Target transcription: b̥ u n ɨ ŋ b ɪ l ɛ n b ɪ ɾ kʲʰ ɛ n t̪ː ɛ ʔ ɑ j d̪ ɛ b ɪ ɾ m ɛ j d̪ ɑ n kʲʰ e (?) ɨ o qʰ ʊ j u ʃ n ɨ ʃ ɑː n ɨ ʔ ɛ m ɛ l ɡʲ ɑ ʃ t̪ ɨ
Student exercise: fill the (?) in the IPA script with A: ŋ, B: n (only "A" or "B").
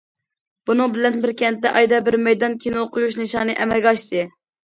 B